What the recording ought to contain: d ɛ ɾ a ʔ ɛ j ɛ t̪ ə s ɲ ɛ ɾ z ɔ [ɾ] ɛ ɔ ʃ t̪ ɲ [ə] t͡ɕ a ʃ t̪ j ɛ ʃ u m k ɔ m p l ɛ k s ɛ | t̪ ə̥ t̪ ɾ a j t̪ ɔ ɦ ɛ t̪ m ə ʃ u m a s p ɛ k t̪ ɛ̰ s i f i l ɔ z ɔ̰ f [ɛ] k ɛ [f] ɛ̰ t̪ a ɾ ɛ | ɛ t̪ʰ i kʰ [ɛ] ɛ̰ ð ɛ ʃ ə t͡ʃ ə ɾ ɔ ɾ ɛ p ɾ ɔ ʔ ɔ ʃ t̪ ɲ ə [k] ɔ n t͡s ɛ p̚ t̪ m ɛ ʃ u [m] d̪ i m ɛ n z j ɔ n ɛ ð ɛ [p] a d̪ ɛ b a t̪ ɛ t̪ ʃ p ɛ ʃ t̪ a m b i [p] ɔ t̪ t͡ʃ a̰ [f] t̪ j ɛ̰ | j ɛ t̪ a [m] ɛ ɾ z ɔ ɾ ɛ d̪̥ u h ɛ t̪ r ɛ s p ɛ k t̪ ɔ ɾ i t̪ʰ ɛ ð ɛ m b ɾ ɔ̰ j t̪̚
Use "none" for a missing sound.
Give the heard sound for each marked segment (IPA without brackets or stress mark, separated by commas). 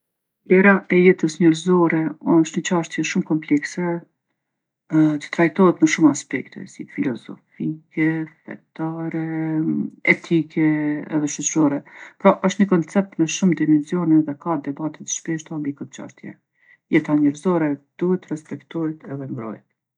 ɾ, ə, i, f, ɛ, k, m, k, k, ʃ, ɲ